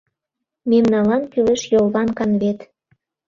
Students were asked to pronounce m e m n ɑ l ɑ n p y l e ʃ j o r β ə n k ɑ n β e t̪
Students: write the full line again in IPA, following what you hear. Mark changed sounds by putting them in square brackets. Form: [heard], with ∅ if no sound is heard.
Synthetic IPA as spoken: m e m n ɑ l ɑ n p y l e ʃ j o [l] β [ɑ] n k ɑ n β e t̪